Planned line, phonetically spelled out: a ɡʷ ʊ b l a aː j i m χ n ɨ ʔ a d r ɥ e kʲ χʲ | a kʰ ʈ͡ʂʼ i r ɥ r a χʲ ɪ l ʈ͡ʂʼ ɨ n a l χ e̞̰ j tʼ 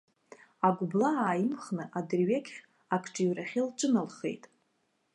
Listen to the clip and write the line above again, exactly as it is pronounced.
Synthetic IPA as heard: a ɡʷ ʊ b l a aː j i m χ n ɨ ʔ a d r ɥ e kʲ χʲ | a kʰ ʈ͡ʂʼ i ɥ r a χʲ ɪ l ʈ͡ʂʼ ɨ n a l χ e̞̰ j tʼ